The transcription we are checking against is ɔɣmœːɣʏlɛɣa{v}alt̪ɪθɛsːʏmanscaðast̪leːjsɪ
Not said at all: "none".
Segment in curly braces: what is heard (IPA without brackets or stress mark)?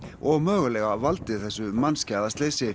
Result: v